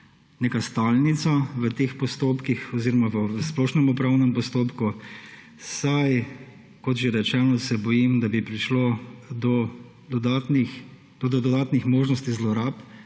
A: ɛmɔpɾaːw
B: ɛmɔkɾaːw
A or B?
A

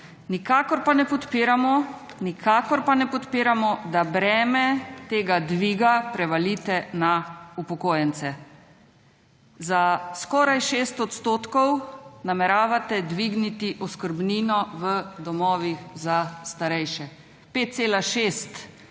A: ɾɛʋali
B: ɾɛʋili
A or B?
A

